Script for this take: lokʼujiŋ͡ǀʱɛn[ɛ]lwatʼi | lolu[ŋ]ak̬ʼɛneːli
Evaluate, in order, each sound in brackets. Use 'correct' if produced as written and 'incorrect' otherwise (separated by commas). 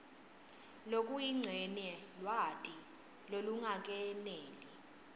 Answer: correct, correct